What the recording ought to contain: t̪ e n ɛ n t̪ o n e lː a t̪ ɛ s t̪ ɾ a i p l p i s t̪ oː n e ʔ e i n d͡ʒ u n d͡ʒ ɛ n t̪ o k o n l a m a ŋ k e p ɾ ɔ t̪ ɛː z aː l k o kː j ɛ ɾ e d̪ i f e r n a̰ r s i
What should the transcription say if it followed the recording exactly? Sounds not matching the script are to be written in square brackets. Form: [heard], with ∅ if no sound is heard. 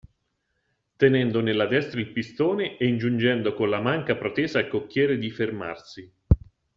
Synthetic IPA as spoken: t̪ e n ɛ n [d̪] o n e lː a [d̪] ɛ s t̪ ɾ a i [∅] l p i s t̪ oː n e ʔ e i n d͡ʒ u n d͡ʒ ɛ n [d̪] o k o n l a m a ŋ k [a] p ɾ [o] t̪ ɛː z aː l k o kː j [ɛː] ɾ e d̪ i f e r [m] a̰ r s i